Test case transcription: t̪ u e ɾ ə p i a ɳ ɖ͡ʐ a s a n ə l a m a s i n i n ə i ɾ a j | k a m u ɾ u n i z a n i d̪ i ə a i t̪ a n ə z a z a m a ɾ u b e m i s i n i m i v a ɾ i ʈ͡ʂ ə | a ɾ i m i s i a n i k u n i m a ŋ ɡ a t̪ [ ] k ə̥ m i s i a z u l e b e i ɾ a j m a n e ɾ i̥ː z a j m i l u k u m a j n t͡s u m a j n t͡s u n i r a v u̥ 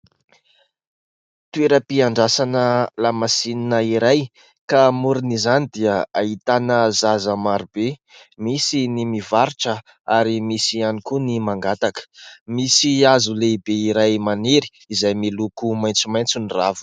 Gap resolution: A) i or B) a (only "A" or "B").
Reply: B